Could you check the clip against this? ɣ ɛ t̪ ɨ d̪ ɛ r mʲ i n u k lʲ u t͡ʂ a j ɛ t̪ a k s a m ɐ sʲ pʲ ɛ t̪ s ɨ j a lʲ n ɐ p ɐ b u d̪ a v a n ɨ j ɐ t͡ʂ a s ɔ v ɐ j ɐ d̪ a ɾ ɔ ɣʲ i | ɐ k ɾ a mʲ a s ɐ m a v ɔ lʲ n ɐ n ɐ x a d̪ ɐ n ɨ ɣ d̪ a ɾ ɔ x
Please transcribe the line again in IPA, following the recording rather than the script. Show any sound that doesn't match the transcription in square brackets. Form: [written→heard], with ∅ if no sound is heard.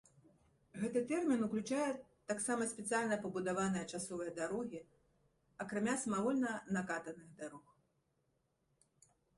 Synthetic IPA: ɣ ɛ t̪ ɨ [d̪→t̪] ɛ r mʲ i n u k lʲ u t͡ʂ a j ɛ t̪ a k s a m ɐ sʲ pʲ ɛ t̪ s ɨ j a lʲ n ɐ p ɐ b u d̪ a v a n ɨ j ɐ t͡ʂ a s ɔ v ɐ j ɐ d̪ a ɾ ɔ ɣʲ i | ɐ k ɾ a mʲ a s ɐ m a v ɔ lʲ n ɐ n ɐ [x→k] a [d̪→t̪] ɐ n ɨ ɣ d̪ a ɾ ɔ x

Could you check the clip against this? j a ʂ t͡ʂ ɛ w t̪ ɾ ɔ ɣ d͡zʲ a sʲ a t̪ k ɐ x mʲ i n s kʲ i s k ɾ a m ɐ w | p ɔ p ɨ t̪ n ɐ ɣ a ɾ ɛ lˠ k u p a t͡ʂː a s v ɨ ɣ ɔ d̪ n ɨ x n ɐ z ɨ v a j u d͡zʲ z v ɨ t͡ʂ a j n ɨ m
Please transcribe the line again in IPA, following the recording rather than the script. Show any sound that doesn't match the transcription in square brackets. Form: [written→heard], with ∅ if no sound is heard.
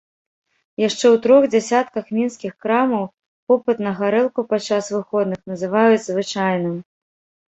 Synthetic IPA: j a ʂ t͡ʂ ɛ w t̪ ɾ ɔ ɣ d͡zʲ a sʲ a t̪ k ɐ x mʲ i n s kʲ i [s→x] k ɾ a m ɐ w | p ɔ p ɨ t̪ n ɐ ɣ a ɾ ɛ lˠ k u p a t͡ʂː a s v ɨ [ɣ→x] ɔ d̪ n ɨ x n ɐ z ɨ v a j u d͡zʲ z v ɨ t͡ʂ a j n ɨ m

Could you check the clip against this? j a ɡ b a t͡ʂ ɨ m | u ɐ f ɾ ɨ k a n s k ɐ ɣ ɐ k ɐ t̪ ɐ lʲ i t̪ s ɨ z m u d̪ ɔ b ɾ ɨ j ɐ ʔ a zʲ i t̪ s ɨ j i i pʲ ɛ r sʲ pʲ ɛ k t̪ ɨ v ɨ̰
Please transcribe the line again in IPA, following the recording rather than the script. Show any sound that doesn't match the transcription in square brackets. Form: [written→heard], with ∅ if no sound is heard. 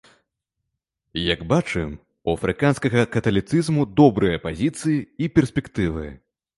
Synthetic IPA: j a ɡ b a t͡ʂ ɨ m | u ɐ f ɾ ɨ k a n s k ɐ ɣ ɐ k ɐ t̪ ɐ lʲ i t̪ s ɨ z m u d̪ ɔ b ɾ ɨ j ɐ [ʔ→p] a zʲ i t̪ s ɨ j i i pʲ ɛ r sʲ pʲ ɛ k t̪ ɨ v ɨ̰

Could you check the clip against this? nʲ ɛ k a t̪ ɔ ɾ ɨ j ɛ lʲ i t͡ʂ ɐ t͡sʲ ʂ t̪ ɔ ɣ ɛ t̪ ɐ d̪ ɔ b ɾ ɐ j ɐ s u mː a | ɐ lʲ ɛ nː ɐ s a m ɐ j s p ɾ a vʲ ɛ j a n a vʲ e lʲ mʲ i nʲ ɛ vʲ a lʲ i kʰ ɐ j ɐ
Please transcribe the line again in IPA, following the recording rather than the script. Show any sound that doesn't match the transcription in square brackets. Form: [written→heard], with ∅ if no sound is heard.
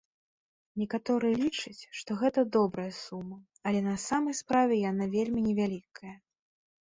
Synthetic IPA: nʲ ɛ k a t̪ ɔ ɾ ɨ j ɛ lʲ i t͡ʂ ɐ t͡sʲ ʂ t̪ ɔ ɣ ɛ t̪ ɐ d̪ ɔ b ɾ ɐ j ɐ s u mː [a→ɐ] | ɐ lʲ ɛ [nː→n] ɐ s a m ɐ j s p ɾ a vʲ ɛ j a n a vʲ e lʲ mʲ i nʲ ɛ vʲ a lʲ i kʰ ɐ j ɐ

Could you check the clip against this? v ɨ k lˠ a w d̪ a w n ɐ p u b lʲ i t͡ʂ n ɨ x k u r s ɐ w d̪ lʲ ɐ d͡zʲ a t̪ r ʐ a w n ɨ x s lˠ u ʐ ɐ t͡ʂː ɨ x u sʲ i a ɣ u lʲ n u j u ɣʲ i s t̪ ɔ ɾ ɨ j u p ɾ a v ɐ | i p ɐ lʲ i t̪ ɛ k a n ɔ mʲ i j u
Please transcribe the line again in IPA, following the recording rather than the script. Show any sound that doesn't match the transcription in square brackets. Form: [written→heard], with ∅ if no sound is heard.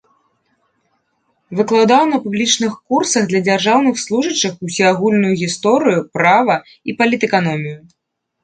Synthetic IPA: v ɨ k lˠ a w d̪ a w n ɐ p u b lʲ i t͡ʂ n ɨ x k u r s ɐ [w→ɣ] d̪ lʲ ɐ d͡zʲ a [t̪→∅] r ʐ a w n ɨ x s lˠ u ʐ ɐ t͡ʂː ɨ x u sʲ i a ɣ u lʲ n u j u ɣʲ i s t̪ ɔ ɾ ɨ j u p ɾ a v ɐ | i p ɐ lʲ i t̪ ɛ k a n ɔ mʲ i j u

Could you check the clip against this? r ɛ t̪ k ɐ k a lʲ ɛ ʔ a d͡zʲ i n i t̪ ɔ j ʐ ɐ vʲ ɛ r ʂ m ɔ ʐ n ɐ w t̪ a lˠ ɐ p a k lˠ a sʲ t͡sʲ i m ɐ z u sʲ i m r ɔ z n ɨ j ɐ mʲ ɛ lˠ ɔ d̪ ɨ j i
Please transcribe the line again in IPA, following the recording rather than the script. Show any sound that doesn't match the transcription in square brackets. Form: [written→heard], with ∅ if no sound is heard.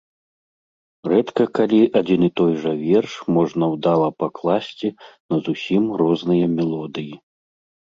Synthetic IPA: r ɛ t̪ k ɐ k a lʲ [ɛ→i] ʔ a d͡zʲ i n i t̪ ɔ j ʐ ɐ vʲ ɛ r ʂ m ɔ ʐ n ɐ w [t̪→d̪] a lˠ ɐ p a k lˠ a sʲ t͡sʲ i [m→n] ɐ z u sʲ i m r ɔ z n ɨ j ɐ mʲ ɛ lˠ ɔ d̪ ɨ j i

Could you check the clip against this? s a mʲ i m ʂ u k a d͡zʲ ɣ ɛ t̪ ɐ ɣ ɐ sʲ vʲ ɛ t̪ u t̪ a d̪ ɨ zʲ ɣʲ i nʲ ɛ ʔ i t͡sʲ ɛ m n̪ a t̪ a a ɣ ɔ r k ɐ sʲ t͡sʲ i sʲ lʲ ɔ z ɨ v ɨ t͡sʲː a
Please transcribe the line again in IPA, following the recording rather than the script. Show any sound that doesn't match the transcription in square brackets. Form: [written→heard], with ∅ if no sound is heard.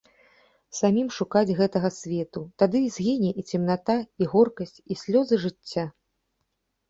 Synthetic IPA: s a mʲ i m ʂ u k a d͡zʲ ɣ ɛ t̪ ɐ ɣ ɐ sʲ vʲ ɛ t̪ u t̪ a d̪ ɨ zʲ ɣʲ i nʲ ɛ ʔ i t͡sʲ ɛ m n̪ a t̪ a [a→i] ɣ ɔ r k ɐ sʲ t͡sʲ i sʲ lʲ ɔ z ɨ [v→ʐ] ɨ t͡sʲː a

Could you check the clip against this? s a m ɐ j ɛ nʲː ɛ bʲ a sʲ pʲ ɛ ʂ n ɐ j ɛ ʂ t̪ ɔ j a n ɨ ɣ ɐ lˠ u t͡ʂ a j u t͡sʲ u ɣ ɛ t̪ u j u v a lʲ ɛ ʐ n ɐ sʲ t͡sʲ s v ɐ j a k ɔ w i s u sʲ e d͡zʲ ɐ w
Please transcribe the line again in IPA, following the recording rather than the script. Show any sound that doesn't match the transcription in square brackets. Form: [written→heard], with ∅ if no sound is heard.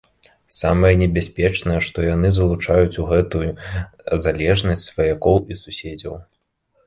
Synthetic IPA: s a m ɐ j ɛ [nʲː→nʲ] ɛ bʲ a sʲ pʲ ɛ [ʂ→t͡ʂ] n ɐ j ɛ ʂ t̪ ɔ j a n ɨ [ɣ→z] ɐ lˠ u t͡ʂ a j u t͡sʲ u ɣ ɛ t̪ u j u [v→z] a lʲ ɛ ʐ n ɐ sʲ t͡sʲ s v ɐ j a k ɔ w i s u sʲ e d͡zʲ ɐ w

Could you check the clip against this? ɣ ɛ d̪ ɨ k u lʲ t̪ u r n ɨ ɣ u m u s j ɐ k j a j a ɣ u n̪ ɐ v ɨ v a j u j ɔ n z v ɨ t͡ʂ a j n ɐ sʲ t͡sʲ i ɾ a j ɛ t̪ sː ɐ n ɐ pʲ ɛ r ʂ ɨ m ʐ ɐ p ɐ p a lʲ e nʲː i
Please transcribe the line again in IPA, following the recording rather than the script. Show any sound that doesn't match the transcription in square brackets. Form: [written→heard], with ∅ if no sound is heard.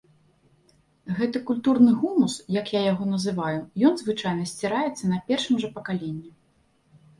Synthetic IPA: ɣ ɛ [d̪→t̪] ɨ k u lʲ t̪ u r n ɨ ɣ u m u s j ɐ k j a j a ɣ [u→ɔ] n̪ ɐ [v→z] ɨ v a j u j ɔ n z v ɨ t͡ʂ a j n ɐ sʲ t͡sʲ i ɾ a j ɛ t̪ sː ɐ n ɐ pʲ ɛ r ʂ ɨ m ʐ ɐ p ɐ [p→k] a lʲ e nʲː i

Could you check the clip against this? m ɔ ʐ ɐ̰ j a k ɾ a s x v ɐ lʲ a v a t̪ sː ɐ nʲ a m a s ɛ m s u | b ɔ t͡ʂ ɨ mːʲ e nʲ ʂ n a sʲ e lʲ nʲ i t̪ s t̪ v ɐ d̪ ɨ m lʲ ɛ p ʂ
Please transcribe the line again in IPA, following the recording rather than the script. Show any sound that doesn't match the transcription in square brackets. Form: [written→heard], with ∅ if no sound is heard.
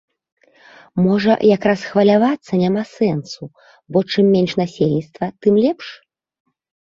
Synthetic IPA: m ɔ ʐ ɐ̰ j a k ɾ a s x v ɐ lʲ a v a t̪ sː ɐ nʲ a m a s ɛ [m→n] s u | b ɔ t͡ʂ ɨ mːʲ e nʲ ʂ n a sʲ e lʲ nʲ i t̪ s t̪ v ɐ [d̪→t̪] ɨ m lʲ ɛ p ʂ

